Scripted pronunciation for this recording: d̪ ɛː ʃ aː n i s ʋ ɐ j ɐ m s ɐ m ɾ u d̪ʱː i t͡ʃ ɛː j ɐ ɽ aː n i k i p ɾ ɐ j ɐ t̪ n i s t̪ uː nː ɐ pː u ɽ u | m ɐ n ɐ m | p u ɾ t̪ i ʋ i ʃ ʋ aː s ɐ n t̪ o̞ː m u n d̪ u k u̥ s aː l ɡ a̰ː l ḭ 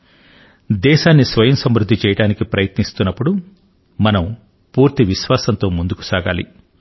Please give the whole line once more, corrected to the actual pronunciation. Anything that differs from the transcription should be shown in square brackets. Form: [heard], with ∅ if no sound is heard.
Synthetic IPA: d̪ ɛː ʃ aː [nː] i s ʋ ɐ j ɐ m s ɐ m ɾ u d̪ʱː i t͡ʃ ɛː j ɐ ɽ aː n i k i p ɾ ɐ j ɐ t̪ n i s t̪ [u] nː ɐ pː u ɽ u | m ɐ n ɐ m | p [uː] ɾ t̪ i ʋ i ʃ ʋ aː s ɐ n t̪ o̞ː m u n d̪ u k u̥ s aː [∅] ɡ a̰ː l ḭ